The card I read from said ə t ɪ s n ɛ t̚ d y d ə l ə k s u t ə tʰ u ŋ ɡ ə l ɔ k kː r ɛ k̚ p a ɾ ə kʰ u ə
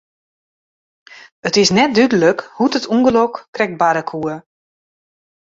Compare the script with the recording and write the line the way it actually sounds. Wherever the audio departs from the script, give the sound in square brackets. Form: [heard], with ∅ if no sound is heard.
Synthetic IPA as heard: ə t ɪ s n ɛ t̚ d y d ə l ə k [h] u t ə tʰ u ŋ ɡ ə l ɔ k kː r ɛ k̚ [b] a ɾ ə kʰ u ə